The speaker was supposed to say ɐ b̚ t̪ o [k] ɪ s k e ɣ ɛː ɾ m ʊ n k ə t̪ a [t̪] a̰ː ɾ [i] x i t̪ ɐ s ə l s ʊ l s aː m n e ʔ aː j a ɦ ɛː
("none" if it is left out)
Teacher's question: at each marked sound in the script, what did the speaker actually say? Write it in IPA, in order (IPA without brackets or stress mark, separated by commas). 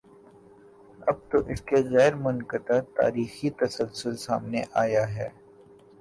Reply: ʔ, t̪, iː